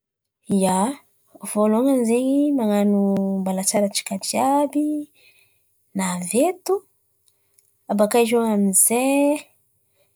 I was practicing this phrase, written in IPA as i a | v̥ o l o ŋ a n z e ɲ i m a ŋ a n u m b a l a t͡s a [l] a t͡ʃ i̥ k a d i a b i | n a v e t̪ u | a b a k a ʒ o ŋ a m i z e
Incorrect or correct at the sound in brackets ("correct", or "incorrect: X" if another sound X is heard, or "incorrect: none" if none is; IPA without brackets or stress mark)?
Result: incorrect: ɾ